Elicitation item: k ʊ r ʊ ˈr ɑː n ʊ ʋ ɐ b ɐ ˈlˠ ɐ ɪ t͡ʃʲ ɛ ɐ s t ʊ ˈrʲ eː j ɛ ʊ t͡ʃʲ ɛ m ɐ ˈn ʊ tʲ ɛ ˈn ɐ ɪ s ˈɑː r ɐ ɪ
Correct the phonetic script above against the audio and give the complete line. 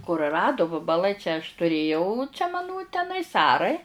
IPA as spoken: k ʊ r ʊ ˈr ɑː d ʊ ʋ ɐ b ɐ ˈlˠ ɐ ɪ t͡ʃʲ ɛ ɐ ʃ t ʊ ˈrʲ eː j ɛ ʊ t͡ʃʲ ɛ m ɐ ˈn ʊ tʲ ɛ ˈn ɐ ɪ s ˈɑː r ɐ ɪ